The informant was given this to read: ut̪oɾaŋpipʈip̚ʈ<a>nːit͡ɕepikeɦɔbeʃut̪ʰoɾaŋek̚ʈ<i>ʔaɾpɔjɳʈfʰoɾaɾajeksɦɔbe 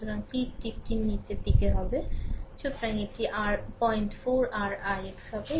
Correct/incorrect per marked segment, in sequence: incorrect: i, correct

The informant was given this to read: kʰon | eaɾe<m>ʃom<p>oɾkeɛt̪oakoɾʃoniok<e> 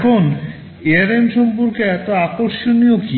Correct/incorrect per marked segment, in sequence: correct, correct, incorrect: i

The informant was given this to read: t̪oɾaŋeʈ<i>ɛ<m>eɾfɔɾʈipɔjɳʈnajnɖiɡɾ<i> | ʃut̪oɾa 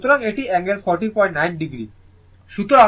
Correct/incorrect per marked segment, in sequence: correct, incorrect: ŋ, correct

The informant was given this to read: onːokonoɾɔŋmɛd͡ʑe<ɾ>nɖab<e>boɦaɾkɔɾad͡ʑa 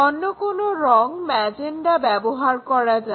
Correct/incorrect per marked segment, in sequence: incorrect: none, incorrect: ɛ

